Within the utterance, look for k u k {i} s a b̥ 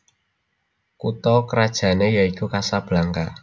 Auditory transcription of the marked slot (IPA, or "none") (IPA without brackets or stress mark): a